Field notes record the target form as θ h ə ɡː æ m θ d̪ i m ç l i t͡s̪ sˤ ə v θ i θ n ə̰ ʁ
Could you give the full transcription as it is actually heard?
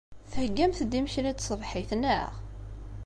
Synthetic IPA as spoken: θ h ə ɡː æ m θ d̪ i m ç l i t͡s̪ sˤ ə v ħ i θ n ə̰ ʁ